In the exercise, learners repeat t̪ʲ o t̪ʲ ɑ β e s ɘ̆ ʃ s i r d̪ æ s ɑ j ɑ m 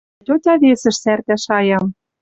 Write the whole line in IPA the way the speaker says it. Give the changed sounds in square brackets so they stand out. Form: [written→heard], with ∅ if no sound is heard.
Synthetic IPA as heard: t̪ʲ o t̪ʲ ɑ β e s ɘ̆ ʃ s [i→æ] r [d̪→t̪] æ [s→ʃ] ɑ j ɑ m